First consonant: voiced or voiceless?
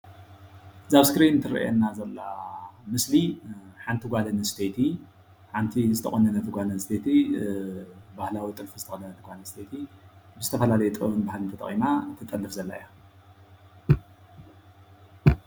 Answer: voiced